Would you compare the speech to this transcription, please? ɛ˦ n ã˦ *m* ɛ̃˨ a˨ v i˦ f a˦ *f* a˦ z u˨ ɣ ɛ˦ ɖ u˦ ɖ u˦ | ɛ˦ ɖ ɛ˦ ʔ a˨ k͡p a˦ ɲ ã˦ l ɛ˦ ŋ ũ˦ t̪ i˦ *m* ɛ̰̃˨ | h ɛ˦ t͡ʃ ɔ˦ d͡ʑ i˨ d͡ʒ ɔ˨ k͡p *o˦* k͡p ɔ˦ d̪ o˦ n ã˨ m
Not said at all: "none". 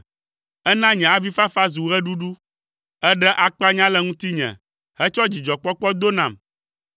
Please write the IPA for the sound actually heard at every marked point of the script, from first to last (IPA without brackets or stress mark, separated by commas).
ɲ, f, ɲ, ɔ˦